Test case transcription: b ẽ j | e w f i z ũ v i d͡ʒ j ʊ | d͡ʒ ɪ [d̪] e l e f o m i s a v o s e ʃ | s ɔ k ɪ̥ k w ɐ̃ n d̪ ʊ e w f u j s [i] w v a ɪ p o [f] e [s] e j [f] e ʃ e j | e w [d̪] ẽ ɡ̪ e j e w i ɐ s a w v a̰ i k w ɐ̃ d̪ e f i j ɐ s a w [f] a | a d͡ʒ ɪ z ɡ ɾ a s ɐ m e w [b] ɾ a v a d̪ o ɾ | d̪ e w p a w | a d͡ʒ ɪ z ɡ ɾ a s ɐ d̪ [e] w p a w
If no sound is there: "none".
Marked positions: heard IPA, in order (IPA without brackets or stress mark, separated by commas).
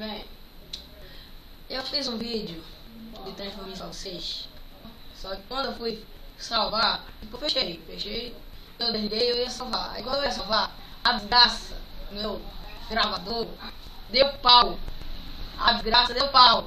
t̪, a, f, ʃ, f, d̪, v, ɡ, e